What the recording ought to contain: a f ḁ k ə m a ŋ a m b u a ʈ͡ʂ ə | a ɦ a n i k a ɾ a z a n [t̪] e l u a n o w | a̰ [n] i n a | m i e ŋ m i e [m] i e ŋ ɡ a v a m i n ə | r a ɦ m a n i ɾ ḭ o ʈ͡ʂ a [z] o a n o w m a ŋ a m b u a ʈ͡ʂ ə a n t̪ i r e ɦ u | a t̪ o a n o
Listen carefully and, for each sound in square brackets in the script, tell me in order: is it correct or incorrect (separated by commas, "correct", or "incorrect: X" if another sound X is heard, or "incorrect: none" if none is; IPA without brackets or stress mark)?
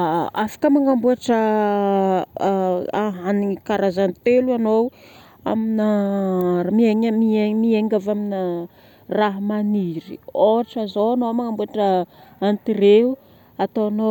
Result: correct, incorrect: m, correct, correct